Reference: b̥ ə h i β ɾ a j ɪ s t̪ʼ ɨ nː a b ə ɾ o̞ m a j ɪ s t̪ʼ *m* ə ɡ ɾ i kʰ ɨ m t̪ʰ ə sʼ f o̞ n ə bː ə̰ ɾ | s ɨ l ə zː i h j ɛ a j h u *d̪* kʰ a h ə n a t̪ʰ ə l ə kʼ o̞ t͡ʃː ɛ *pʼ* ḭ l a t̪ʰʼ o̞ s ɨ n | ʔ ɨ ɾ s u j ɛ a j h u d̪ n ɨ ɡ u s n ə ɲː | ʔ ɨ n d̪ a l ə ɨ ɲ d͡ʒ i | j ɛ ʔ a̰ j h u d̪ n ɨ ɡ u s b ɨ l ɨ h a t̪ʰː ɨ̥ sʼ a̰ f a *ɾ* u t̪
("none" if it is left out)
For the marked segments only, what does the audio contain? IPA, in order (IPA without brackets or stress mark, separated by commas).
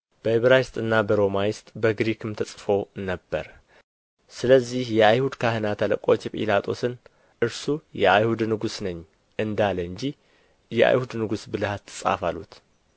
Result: b, d̪, pʼ, l